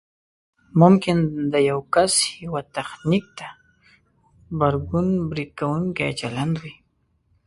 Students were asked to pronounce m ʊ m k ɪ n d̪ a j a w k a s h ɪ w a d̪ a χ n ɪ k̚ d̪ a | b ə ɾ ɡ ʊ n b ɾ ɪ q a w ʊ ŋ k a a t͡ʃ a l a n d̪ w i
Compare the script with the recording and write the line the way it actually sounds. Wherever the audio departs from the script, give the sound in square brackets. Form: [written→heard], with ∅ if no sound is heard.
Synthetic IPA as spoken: m ʊ m k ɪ n d̪ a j a w k a s h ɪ w a [d̪→t̪] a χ n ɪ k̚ [d̪→t̪] a | b [ə→a] ɾ ɡ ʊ n b ɾ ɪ [q→k] a w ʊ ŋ k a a t͡ʃ a l a n d̪ w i